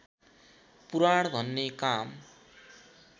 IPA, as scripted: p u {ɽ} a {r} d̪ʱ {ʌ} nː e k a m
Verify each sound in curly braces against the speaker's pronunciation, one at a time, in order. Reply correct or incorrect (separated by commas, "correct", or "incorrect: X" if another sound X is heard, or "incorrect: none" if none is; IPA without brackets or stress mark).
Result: incorrect: ɾ, incorrect: ɽ, correct